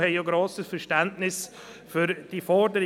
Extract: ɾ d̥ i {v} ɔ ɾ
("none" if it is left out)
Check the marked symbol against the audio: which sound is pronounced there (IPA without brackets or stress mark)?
f